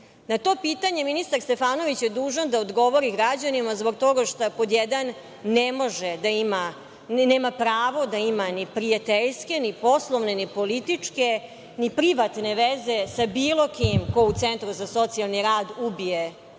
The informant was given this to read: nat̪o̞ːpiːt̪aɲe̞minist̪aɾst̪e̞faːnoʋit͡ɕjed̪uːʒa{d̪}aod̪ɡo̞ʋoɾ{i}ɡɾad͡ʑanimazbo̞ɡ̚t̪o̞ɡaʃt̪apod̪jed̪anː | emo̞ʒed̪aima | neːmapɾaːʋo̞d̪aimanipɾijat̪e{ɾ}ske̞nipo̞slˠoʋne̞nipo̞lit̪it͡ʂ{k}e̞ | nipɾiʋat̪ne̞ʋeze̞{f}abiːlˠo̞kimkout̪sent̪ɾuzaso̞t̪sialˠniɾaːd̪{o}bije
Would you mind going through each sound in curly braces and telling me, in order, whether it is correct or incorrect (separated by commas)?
correct, correct, incorrect, correct, incorrect, incorrect